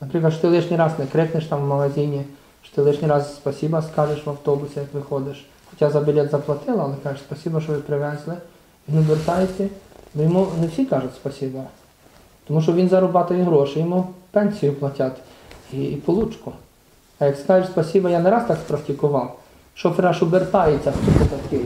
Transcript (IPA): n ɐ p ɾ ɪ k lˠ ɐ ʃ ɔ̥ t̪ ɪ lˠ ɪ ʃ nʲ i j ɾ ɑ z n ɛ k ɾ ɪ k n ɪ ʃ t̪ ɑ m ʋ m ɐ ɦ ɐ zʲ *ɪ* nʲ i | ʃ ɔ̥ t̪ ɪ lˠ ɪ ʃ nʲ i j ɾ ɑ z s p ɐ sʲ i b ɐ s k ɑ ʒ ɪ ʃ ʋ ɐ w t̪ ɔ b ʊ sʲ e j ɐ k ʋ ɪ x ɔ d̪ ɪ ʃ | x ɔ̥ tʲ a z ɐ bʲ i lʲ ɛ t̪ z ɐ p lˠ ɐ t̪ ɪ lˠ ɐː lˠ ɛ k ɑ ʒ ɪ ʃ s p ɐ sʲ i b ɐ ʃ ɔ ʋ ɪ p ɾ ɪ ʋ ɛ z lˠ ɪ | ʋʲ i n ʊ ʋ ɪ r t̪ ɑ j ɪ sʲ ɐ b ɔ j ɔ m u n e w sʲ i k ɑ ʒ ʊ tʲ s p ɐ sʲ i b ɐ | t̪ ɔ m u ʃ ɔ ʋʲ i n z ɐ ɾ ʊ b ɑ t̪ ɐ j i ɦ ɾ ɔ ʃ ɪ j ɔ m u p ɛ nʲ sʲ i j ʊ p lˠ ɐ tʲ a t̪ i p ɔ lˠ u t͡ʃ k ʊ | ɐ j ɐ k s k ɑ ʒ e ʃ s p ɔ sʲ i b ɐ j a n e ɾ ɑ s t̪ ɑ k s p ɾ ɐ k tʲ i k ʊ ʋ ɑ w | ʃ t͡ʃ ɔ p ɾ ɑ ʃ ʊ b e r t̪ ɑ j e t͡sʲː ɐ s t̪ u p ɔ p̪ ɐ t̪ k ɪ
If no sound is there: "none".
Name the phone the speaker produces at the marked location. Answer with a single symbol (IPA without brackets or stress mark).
i